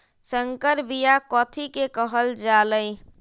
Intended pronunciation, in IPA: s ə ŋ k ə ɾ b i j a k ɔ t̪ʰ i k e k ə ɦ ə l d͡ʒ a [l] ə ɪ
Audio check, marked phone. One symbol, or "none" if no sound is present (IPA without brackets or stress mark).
l